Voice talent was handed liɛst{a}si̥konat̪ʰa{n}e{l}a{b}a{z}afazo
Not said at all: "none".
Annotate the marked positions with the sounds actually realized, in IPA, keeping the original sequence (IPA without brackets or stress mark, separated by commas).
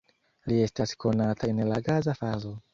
a, n, l, ɡ, z